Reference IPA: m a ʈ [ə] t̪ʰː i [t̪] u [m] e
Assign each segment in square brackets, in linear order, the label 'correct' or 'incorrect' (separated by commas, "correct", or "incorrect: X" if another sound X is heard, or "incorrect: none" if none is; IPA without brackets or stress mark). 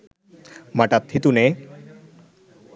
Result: incorrect: a, correct, incorrect: n